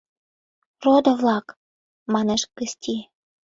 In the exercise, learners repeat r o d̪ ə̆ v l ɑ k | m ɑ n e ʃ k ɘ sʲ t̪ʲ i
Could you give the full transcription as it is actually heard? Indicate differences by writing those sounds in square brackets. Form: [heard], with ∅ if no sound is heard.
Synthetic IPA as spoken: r o d̪ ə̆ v l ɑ k | m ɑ n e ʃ k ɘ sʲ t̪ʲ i

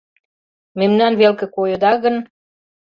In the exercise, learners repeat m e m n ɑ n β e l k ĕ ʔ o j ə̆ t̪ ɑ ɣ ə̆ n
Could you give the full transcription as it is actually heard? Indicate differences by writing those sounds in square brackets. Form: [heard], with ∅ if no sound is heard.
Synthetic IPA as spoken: m e m n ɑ n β e l k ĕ [k] o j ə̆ [d̪] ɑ ɣ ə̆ n

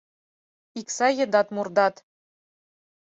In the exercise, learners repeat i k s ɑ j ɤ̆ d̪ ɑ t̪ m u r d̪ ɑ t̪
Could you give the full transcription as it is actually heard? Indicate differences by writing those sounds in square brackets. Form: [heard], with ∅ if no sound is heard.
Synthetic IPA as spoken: i k s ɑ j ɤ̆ d̪ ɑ t̪ m u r d̪ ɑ t̪

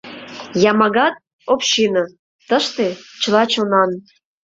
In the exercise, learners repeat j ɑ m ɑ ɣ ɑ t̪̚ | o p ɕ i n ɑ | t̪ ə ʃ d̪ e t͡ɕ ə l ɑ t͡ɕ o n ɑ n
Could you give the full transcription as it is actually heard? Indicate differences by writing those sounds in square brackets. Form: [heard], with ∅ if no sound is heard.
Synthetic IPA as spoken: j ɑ m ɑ ɣ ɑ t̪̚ | o p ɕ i n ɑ | t̪ ə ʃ [t̪] e t͡ɕ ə l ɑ t͡ɕ o n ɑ n

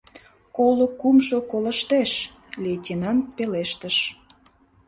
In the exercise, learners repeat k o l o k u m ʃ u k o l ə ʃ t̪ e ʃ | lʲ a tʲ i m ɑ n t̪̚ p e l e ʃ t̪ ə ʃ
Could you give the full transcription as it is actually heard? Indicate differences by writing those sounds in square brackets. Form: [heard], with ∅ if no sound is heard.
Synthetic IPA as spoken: k o l o k u m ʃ [o] k o l ə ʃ t̪ e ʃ | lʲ [e] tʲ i [n] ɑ n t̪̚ p e l e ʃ t̪ ə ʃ

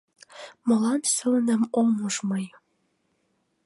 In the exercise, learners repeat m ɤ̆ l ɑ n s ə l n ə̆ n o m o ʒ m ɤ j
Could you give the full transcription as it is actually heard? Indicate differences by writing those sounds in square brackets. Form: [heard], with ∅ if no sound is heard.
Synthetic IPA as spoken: m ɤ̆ l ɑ n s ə l n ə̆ [m] o m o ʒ m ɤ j

